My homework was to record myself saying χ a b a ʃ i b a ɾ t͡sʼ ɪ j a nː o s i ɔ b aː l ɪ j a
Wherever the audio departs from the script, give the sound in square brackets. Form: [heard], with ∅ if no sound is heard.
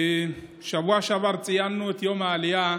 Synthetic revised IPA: [ʃ] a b a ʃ [a] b a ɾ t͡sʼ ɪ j a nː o [t] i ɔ [m] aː l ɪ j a